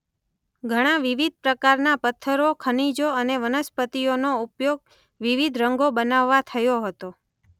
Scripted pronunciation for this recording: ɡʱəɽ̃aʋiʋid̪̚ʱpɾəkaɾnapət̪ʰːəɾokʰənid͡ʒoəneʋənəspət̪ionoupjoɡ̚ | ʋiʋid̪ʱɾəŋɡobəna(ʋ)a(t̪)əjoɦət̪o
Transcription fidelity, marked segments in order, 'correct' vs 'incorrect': incorrect, incorrect

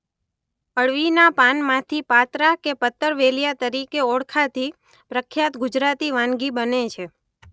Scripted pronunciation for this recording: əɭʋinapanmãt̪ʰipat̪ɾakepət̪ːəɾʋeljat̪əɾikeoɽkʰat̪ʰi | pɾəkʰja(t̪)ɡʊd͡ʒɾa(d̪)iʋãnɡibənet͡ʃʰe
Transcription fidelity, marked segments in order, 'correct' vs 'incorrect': correct, incorrect

